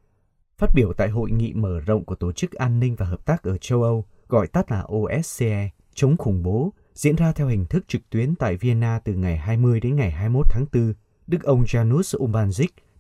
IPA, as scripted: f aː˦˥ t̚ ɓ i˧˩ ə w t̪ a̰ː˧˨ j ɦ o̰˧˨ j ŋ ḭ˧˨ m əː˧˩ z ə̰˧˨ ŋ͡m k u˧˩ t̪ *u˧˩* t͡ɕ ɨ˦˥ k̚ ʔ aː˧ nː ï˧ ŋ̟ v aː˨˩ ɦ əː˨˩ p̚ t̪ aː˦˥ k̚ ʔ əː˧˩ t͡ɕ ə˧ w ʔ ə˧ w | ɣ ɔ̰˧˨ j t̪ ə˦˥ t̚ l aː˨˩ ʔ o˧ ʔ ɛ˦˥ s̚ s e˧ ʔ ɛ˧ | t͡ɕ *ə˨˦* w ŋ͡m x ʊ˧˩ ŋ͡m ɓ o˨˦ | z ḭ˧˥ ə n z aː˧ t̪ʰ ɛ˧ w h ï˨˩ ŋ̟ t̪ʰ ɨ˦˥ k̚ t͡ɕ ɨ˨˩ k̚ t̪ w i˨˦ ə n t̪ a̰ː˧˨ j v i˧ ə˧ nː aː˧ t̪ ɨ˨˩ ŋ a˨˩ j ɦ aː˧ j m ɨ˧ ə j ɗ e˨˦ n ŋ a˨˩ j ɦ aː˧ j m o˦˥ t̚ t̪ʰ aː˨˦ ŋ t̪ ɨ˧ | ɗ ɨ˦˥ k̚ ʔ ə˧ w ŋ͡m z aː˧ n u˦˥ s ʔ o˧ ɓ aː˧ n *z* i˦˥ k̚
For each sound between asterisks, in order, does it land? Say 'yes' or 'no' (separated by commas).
no, yes, yes